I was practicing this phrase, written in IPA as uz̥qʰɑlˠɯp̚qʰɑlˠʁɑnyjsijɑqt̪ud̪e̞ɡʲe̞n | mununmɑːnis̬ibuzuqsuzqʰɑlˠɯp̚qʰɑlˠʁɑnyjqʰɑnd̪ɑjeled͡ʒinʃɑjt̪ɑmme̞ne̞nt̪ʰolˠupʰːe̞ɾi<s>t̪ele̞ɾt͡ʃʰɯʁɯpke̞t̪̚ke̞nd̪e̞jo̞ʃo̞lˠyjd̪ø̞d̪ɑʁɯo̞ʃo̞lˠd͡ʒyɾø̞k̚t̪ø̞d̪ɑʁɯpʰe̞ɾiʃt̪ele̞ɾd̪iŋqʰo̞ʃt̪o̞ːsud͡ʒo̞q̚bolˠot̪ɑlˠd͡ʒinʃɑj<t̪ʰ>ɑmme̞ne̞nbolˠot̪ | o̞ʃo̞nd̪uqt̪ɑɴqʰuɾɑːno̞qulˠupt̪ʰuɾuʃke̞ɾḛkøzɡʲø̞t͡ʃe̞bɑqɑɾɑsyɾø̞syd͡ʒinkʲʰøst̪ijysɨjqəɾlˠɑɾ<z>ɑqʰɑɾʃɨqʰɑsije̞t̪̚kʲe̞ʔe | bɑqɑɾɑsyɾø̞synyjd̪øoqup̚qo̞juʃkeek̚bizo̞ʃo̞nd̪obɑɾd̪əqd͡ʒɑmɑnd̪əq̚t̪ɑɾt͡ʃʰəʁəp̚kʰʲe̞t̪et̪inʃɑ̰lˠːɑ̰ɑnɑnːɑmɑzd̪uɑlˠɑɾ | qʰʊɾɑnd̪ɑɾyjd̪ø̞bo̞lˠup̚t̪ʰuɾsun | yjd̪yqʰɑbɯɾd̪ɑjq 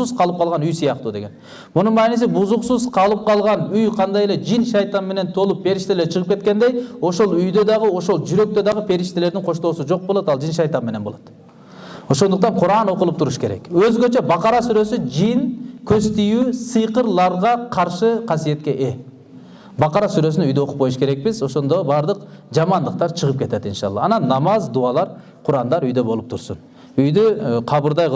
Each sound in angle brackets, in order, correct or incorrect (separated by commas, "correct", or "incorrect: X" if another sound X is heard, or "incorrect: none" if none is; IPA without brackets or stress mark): incorrect: ʃ, incorrect: t̪, incorrect: ʁ